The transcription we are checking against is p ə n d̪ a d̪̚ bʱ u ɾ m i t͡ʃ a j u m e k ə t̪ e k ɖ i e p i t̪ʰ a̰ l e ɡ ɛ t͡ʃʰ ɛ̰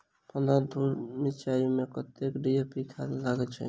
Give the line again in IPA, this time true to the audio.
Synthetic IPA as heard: p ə n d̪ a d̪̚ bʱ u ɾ m i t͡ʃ a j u m e k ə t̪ e k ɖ i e p i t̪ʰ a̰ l a ɡ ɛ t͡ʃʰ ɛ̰

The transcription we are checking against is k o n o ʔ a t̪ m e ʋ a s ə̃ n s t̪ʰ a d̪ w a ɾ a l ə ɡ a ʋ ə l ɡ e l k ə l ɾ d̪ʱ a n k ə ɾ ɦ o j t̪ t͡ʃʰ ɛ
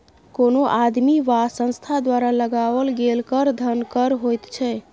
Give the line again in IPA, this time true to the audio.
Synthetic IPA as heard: k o n o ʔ a d̪ m i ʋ a s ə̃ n s t̪ʰ a d̪ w a ɾ a l ə ɡ a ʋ ə l ɡ e l k ə ɾ d̪ʱ ə n k ə ɾ ɦ o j t̪ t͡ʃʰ ɛ

